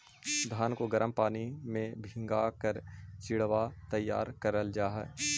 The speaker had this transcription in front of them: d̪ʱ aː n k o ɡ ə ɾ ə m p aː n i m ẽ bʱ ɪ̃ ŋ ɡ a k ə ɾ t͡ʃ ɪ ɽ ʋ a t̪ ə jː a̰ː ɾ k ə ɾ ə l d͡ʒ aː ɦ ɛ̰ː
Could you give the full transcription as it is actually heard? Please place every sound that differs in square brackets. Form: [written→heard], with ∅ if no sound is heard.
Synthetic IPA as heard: d̪ʱ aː n k o ɡ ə ɾ ə m p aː n i m ẽ bʱ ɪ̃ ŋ ɡ a k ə ɾ t͡ʃ ɪ ɽ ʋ a t̪ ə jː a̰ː ɾ k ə ɾ ə l d͡ʒ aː ɦ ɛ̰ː